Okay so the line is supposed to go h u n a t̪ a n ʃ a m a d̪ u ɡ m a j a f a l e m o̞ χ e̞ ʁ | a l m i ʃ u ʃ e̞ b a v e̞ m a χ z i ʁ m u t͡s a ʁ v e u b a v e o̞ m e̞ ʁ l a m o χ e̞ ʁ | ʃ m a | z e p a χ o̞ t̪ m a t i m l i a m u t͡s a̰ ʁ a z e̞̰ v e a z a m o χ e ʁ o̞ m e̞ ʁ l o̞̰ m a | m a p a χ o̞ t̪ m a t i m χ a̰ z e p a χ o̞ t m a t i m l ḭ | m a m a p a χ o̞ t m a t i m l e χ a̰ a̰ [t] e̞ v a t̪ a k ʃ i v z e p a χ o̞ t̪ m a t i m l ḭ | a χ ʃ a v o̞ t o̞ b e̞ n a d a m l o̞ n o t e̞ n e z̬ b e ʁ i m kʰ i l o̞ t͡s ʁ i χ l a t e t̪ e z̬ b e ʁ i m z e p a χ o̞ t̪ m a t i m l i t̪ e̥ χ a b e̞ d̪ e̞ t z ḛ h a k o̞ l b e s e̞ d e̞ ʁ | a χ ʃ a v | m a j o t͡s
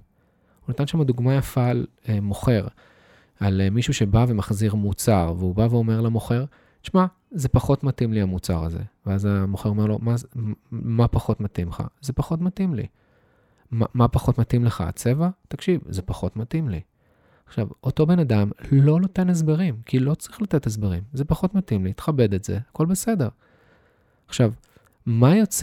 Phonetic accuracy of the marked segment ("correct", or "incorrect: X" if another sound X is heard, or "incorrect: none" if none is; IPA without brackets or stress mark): incorrect: t͡s